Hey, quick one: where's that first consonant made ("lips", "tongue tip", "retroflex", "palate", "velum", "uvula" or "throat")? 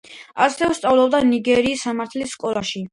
tongue tip